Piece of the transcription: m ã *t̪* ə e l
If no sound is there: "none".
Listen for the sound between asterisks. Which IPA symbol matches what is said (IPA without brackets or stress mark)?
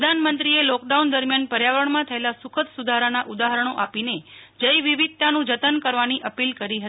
t̪ʰ